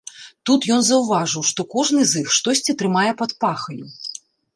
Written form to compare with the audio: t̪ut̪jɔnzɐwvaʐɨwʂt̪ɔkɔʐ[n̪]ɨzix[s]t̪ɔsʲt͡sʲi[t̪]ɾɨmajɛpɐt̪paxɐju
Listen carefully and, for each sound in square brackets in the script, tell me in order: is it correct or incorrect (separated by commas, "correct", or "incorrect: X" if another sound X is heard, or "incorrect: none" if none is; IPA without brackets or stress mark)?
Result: correct, incorrect: ʂ, correct